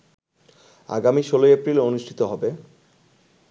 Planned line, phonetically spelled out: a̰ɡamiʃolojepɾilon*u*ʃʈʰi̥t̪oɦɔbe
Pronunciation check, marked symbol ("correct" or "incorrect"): correct